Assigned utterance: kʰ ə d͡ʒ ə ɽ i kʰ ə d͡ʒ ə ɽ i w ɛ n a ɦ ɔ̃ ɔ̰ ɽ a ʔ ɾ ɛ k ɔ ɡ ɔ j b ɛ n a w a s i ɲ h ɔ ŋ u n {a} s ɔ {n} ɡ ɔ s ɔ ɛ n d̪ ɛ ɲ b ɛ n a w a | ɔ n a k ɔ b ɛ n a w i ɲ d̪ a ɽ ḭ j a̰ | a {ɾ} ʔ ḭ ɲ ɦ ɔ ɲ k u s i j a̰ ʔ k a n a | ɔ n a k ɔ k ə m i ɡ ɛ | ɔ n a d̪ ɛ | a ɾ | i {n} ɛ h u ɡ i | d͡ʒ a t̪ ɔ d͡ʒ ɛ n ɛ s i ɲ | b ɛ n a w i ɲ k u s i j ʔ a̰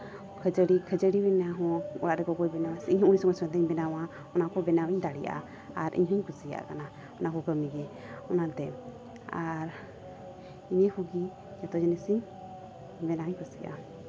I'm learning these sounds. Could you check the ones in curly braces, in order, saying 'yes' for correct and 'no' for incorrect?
no, no, yes, no

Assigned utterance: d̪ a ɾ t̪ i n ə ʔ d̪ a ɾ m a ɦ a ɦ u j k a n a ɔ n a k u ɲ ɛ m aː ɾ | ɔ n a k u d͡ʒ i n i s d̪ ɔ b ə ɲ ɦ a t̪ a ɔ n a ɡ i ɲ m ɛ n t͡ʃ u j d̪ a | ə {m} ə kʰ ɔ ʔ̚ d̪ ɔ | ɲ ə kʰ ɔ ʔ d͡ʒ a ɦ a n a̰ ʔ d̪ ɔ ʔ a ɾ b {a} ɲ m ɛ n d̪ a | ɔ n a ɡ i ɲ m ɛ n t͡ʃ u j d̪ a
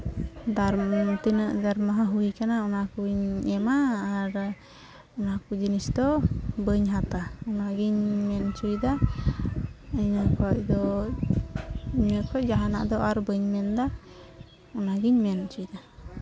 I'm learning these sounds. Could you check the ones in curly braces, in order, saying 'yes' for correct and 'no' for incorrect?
no, no

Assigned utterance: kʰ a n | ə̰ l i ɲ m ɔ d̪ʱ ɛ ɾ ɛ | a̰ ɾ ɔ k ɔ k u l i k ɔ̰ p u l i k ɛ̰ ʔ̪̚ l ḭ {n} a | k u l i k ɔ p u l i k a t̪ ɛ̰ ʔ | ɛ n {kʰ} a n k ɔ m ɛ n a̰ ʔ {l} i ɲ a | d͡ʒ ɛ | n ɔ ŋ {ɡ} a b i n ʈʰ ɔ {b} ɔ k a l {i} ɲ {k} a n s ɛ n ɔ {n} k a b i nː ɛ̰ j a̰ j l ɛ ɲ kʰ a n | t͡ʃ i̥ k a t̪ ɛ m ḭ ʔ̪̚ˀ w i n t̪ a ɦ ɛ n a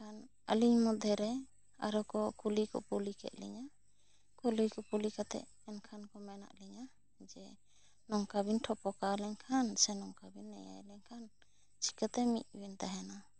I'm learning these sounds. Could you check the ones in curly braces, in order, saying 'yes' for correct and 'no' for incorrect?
no, yes, yes, no, no, no, no, no

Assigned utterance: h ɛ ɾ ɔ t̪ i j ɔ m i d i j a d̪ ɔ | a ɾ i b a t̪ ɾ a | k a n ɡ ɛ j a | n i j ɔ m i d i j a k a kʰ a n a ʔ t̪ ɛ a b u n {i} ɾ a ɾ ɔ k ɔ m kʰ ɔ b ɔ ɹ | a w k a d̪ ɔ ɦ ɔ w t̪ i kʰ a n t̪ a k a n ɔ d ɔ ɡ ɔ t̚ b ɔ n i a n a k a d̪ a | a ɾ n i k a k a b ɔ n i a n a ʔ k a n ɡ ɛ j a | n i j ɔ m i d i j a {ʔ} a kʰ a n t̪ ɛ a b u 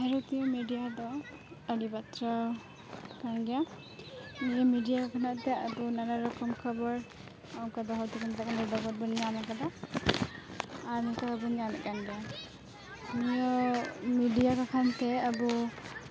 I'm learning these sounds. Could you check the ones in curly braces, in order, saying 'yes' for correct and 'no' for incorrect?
no, no

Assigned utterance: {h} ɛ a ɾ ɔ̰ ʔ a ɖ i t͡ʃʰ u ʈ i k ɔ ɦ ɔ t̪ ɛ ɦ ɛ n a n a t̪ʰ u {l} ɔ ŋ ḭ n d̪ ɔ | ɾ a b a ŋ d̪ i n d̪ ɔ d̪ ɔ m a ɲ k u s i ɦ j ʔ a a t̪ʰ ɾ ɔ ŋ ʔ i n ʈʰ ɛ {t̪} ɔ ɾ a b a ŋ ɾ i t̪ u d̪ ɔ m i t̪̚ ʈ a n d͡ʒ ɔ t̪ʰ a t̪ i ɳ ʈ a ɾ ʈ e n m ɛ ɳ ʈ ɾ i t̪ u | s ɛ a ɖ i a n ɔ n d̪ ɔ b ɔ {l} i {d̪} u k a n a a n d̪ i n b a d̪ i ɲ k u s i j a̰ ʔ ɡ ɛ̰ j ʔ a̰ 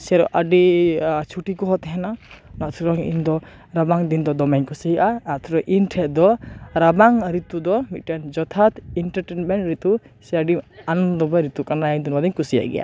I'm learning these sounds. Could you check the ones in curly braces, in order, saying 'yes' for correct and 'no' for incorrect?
no, no, no, no, no

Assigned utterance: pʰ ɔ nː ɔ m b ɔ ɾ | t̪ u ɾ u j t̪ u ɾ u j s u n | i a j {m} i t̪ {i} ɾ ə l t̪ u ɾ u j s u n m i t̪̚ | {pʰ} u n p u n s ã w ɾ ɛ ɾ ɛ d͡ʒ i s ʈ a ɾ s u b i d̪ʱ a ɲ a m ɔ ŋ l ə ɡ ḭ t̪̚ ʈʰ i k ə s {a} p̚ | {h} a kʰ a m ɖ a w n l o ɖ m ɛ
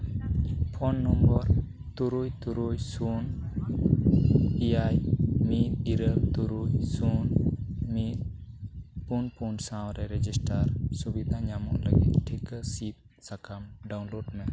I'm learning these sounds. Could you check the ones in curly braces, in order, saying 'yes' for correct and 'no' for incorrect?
yes, yes, no, no, no

